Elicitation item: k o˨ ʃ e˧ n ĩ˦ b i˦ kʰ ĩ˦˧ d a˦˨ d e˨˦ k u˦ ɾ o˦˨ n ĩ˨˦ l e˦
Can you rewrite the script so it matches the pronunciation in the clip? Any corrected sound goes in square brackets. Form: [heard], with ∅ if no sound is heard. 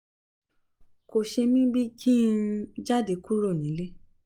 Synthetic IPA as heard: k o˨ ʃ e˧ [m] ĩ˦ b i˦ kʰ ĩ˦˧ [d͡ʒ] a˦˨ d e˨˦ k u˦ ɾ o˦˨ n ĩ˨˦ l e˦